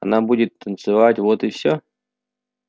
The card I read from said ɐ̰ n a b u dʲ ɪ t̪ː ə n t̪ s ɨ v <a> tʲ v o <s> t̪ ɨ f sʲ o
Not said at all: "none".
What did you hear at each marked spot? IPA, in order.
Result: a, none

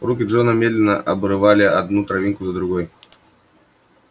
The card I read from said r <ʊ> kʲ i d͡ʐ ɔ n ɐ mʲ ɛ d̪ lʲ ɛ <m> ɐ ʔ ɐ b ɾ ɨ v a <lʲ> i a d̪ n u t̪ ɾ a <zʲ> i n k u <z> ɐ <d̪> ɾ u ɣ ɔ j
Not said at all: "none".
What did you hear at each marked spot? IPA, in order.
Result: u, n, lʲ, vʲ, z, d̪

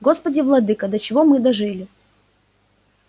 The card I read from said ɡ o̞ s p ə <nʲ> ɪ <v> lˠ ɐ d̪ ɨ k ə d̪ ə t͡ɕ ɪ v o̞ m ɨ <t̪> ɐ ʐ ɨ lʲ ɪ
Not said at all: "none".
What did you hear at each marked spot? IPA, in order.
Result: dʲ, v, d̪

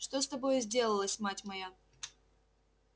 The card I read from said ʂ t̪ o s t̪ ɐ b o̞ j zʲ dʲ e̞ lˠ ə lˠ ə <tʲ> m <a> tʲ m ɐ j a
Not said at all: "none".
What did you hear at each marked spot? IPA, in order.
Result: sʲ, a

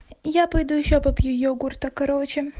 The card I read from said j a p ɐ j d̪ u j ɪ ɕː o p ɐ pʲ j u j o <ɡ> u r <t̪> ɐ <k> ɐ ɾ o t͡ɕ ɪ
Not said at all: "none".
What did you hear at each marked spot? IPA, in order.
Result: ɡ, t̪, k

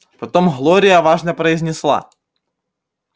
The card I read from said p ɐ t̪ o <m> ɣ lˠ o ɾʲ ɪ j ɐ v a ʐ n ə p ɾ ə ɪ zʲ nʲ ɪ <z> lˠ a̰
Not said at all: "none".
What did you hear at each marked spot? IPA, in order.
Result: m, s

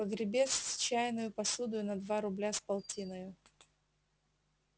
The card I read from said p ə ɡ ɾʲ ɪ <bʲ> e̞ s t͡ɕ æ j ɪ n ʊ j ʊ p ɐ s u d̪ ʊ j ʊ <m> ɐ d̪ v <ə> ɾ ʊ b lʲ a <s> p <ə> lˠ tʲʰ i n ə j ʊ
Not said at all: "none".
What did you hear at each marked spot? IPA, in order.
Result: bʲ, n, a, s, ɐ

